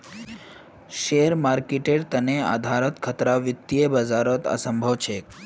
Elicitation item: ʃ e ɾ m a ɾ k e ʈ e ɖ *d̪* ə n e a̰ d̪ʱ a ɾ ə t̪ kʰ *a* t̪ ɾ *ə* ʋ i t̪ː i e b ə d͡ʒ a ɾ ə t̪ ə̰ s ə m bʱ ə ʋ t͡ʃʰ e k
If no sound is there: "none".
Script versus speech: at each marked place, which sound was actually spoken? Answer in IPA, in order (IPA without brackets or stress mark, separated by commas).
t̪, ə, a